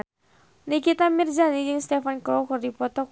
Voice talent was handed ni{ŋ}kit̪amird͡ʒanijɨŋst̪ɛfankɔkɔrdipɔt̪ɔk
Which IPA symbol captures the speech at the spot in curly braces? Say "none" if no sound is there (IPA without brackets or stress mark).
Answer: none